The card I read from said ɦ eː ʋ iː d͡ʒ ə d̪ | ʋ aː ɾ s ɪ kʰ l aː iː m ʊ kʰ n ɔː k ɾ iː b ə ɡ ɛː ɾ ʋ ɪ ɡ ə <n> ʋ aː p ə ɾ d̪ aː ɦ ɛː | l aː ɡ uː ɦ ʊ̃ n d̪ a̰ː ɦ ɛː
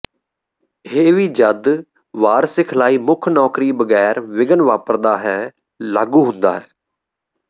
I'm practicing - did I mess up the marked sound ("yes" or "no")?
no